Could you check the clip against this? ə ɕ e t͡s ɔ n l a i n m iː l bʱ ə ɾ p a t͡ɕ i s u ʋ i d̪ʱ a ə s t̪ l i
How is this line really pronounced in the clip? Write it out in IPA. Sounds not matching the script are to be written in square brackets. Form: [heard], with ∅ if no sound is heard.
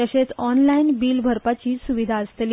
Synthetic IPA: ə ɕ e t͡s ɔ n l a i n [b] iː l bʱ ə ɾ p a t͡ɕ [iː] s u ʋ i d̪ʱ a ə s t̪ l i